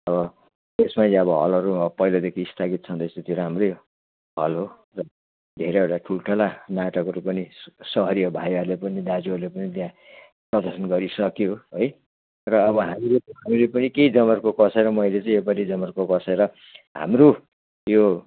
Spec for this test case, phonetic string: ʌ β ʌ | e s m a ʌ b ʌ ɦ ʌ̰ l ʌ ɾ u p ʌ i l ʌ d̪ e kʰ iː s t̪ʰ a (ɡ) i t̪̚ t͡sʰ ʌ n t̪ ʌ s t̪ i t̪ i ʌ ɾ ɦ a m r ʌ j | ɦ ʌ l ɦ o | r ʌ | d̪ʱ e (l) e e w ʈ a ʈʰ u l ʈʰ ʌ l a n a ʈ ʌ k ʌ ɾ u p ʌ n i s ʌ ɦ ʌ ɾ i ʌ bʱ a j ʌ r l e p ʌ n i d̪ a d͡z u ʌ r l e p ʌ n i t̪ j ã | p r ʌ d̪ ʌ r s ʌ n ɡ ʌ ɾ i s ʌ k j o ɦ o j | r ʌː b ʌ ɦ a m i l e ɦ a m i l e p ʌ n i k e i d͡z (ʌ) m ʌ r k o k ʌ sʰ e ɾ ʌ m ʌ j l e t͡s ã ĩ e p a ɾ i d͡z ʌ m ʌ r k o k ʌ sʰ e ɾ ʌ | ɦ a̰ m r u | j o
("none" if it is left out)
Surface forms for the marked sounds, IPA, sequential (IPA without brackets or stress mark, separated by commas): ɡ, ɾ, ʌ